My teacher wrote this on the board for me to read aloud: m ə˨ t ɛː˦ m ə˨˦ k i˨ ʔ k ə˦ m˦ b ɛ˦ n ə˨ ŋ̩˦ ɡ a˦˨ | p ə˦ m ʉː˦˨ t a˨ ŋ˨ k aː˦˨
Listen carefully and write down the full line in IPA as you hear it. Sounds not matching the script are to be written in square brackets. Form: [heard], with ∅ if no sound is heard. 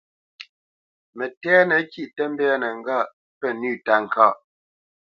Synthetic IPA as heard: m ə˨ t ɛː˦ [n] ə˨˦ k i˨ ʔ [t] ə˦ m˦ b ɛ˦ n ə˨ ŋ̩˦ ɡ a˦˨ | p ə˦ [n] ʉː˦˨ t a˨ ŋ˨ k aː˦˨

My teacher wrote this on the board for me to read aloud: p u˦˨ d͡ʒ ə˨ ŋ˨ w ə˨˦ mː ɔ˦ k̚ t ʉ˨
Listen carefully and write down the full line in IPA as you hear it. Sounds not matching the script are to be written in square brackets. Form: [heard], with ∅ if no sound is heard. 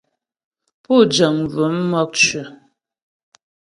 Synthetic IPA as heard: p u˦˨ d͡ʒ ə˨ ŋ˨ [v] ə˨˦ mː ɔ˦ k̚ [t͡ʃ] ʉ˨

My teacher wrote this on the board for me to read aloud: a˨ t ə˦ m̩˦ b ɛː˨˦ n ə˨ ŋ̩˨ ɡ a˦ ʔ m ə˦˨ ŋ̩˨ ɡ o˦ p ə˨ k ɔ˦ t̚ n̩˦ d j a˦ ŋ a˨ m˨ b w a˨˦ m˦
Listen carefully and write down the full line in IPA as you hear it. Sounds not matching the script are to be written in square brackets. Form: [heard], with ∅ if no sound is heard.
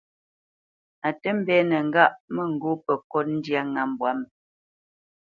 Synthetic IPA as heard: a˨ t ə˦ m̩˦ b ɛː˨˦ n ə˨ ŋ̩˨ ɡ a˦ ʔ m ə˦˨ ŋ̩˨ ɡ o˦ p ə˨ k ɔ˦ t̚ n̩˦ d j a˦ ŋ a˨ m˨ b w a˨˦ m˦

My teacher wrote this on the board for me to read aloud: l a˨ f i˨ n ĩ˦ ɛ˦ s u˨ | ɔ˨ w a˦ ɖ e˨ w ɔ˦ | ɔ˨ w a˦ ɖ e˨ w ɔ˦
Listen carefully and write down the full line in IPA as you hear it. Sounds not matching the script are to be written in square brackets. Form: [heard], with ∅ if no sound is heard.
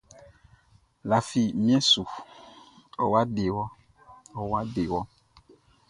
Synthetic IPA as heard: l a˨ f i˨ [m] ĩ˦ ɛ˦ s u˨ | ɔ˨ w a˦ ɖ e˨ w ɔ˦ | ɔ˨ w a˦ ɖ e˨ w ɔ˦

